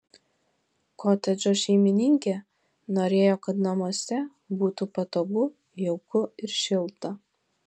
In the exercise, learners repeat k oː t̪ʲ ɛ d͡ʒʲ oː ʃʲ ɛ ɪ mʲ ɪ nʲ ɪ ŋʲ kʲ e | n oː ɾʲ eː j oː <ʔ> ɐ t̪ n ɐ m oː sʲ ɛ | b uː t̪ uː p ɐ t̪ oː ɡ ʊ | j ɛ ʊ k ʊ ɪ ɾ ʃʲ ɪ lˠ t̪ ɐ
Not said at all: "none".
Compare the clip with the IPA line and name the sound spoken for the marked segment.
k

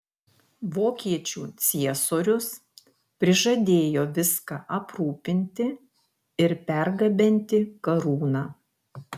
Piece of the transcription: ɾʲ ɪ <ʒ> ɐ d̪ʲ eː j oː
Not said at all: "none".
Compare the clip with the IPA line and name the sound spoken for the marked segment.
ʒ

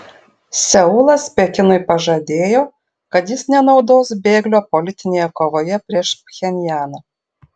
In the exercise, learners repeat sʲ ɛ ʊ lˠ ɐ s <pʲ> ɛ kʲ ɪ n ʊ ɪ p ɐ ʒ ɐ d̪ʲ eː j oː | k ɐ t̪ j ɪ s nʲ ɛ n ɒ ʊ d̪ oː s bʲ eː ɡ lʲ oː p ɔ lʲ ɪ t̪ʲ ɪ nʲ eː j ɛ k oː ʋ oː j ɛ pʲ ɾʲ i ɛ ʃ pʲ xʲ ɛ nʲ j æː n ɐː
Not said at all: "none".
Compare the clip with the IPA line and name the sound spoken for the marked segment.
pʲ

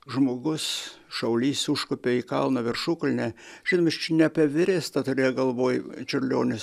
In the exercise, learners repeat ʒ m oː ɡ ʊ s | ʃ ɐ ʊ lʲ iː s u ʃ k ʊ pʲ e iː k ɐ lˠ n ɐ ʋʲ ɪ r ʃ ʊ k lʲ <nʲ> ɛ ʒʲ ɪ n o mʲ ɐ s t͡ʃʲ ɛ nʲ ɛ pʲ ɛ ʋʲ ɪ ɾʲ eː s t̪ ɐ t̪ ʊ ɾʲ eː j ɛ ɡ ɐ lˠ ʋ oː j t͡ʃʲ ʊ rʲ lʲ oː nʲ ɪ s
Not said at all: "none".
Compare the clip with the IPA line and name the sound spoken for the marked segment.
nʲ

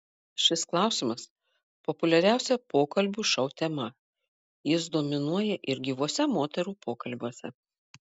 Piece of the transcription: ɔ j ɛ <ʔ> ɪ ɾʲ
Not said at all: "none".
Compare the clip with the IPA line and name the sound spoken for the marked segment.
ʔ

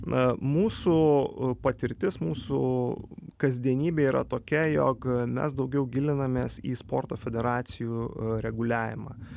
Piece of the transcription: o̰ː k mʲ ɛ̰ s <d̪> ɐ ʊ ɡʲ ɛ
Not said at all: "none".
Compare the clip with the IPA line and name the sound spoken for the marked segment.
d̪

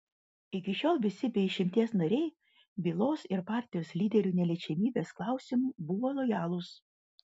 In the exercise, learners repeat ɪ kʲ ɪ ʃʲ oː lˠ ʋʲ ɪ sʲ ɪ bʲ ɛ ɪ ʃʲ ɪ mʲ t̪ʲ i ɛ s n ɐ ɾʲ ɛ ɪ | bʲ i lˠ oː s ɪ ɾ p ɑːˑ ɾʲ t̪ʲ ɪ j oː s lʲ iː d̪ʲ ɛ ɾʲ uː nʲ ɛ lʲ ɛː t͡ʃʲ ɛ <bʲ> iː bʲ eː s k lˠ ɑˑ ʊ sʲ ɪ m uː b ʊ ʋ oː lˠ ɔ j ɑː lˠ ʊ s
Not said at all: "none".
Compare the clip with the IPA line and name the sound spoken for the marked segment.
mʲ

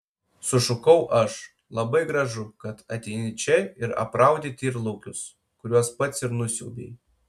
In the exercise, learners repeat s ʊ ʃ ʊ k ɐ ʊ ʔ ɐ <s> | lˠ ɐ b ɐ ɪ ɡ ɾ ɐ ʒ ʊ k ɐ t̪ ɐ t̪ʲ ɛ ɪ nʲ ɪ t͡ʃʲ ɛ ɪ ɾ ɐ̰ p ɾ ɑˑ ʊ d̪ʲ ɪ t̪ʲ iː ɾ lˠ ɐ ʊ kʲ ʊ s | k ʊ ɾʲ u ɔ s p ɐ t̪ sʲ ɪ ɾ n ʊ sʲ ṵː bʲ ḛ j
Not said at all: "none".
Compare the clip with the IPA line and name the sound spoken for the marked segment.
ʃ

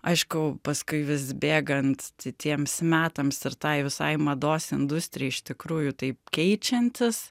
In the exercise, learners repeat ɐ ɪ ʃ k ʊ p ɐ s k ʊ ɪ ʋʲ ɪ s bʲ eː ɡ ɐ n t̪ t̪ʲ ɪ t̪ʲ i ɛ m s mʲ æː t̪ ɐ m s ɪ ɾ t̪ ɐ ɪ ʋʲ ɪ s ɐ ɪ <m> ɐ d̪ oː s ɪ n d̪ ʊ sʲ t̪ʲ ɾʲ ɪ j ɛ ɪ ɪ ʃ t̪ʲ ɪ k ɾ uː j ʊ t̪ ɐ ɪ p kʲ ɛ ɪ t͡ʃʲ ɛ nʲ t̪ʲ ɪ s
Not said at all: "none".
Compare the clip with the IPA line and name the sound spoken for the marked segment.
m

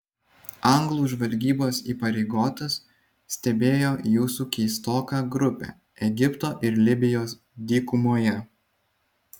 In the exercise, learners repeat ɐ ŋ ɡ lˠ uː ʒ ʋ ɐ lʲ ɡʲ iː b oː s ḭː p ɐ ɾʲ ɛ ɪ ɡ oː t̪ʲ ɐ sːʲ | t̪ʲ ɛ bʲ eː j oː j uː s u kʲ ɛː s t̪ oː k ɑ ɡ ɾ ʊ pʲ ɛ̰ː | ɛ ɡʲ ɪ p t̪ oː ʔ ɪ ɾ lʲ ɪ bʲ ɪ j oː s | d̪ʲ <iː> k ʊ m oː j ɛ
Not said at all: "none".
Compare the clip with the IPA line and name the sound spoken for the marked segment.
iː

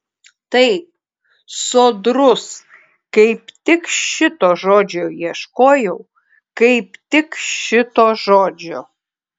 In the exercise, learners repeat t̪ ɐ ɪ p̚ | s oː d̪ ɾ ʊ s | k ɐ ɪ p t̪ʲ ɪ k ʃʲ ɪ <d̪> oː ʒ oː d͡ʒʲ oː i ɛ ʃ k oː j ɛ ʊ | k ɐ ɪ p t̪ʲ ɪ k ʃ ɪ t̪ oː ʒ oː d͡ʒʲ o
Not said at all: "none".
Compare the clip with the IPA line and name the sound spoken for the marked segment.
t̪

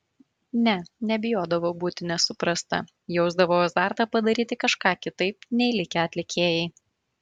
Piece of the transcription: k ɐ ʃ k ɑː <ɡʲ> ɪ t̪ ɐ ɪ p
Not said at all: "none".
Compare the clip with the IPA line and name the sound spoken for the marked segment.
kʲ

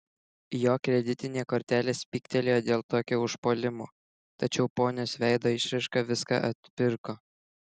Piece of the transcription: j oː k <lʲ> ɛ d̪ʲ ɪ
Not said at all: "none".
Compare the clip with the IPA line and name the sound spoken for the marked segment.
ɾʲ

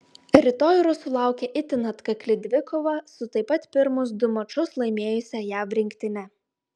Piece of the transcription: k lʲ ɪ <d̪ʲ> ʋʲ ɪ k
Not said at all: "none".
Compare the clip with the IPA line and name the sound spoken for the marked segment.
d̪ʲ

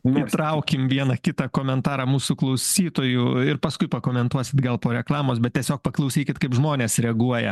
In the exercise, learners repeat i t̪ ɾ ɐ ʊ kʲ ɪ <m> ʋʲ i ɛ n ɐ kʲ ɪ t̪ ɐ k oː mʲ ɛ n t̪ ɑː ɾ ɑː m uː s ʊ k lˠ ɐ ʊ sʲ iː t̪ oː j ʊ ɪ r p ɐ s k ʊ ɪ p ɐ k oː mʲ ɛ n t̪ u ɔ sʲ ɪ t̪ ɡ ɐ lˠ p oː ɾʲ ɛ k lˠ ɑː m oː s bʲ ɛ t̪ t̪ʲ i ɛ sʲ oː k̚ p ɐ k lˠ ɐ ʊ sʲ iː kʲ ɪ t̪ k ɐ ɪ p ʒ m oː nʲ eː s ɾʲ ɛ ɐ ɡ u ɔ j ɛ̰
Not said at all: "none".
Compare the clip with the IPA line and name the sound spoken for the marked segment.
m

